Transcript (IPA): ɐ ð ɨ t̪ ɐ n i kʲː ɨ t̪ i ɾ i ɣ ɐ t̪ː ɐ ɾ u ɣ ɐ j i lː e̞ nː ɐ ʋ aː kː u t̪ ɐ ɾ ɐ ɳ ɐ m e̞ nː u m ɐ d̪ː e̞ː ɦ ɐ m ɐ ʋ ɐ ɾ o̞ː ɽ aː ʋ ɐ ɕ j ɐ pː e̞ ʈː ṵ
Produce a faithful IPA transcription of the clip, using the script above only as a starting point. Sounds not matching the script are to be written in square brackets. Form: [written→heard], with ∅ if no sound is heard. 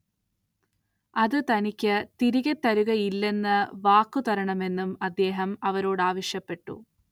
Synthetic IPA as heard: ɐ ð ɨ t̪ ɐ n i kʲː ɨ t̪ i ɾ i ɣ ɐ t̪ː ɐ ɾ u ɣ ɐ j i lː e̞ nː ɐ ʋ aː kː u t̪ ɐ ɾ ɐ ɳ ɐ m e̞ nː u m ɐ d̪ː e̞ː ɦ ɐ m ɐ ʋ ɐ ɾ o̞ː ɽ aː ʋ ɐ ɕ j ɐ pː e̞ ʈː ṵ